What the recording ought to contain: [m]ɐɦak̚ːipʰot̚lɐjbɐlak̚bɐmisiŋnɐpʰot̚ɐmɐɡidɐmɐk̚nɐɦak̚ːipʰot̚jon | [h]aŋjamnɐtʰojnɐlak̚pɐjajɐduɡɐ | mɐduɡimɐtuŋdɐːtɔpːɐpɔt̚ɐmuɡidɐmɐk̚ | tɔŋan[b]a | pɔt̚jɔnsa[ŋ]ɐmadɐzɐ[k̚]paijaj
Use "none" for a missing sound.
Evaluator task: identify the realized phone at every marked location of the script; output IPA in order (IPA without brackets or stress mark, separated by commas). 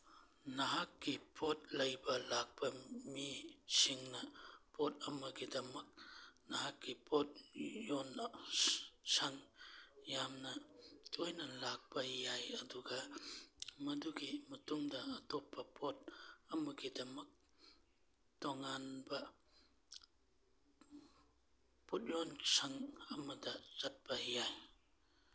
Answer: n, s, b, ŋ, t̚